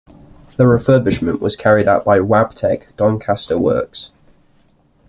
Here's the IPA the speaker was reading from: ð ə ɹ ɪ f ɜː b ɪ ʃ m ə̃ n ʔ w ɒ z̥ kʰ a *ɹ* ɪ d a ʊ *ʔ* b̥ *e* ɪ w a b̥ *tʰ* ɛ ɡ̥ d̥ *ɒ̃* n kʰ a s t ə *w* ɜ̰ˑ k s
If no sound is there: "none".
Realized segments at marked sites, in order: ɹ, ʔ, a, tʰ, ɒ̃, w

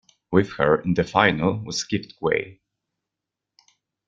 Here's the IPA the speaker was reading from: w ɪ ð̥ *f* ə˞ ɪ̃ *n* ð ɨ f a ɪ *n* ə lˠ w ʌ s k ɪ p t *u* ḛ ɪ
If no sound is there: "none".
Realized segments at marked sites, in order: h, n, n, w

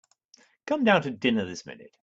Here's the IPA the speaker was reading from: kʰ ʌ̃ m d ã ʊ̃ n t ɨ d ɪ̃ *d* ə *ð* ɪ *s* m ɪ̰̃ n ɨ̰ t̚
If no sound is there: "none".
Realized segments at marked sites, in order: n, ð, s

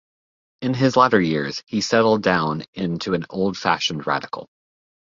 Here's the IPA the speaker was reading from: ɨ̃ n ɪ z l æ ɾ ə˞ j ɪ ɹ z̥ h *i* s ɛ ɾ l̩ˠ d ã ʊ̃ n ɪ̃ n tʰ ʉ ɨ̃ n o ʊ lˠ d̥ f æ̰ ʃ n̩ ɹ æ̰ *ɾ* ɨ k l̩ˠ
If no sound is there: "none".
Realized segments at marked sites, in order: i, ɾ

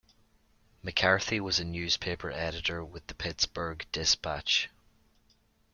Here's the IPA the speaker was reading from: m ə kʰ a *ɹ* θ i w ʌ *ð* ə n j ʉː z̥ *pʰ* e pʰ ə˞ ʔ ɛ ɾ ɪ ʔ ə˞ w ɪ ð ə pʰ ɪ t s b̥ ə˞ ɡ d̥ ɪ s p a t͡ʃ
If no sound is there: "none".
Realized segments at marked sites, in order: ɹ, z, pʰ

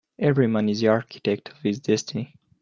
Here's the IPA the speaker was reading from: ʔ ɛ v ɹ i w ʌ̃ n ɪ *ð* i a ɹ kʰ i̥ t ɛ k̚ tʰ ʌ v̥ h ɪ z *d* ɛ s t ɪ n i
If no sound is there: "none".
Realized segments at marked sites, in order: z, d

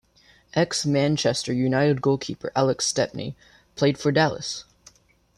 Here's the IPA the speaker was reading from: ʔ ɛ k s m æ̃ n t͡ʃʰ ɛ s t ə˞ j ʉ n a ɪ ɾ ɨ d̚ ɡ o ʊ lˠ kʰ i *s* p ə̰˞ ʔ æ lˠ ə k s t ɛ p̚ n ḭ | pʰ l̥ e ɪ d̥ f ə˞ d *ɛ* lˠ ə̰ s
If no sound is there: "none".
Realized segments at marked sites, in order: none, æ

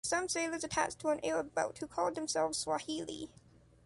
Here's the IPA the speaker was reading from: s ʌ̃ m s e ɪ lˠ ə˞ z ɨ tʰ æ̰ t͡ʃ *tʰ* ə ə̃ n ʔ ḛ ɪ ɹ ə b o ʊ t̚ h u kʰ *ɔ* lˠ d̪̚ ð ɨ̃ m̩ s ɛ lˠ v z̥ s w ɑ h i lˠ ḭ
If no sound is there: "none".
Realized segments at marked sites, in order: tʰ, ɔ

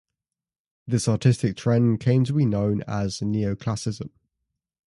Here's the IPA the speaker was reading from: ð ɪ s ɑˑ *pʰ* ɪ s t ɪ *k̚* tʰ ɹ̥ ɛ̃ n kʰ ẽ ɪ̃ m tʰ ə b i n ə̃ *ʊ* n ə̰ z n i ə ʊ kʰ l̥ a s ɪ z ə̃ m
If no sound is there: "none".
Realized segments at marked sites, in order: tʰ, k̚, ʊ̃

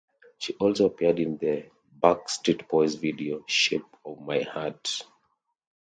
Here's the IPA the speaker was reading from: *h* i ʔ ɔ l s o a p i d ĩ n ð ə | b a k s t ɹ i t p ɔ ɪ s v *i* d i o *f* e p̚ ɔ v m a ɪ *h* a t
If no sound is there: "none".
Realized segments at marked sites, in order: ʃ, i, ʃ, h

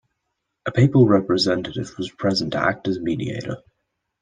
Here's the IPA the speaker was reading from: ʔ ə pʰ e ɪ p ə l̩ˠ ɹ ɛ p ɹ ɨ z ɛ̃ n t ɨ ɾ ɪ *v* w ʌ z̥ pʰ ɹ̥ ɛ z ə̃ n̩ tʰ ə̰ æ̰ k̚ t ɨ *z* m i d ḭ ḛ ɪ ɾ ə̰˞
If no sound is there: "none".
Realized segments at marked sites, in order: v, z

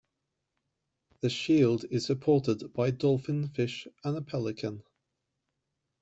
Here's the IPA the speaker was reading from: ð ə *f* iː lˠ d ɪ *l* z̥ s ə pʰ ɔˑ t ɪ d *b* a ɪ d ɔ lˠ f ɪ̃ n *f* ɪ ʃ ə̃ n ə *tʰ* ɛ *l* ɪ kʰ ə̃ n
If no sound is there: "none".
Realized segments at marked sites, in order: ʃ, none, b, f, pʰ, l

